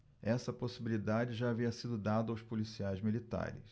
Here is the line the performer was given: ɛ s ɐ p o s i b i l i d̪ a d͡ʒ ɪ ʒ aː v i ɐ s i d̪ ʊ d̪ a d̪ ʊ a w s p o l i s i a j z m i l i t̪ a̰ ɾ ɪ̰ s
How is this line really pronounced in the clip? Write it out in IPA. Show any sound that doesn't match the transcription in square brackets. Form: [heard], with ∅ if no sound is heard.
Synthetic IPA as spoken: ɛ s ɐ p o s i b i l i d̪ a d͡ʒ ɪ ʒ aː v i ɐ s i d̪ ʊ d̪ a d̪ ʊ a w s p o l i s i a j z m i l i t̪ a̰ ɾ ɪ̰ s